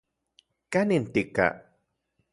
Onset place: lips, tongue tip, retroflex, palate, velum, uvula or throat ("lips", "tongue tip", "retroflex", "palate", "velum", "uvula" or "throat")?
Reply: velum